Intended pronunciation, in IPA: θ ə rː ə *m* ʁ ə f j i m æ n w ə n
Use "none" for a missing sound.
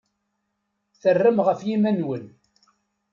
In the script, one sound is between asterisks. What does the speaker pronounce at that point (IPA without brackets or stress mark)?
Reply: m